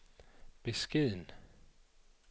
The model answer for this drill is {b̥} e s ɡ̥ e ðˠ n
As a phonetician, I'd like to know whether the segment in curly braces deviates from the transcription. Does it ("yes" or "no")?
no